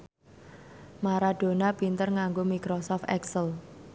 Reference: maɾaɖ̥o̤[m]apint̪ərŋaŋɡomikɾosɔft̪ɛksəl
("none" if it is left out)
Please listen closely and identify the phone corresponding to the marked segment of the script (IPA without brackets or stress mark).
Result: n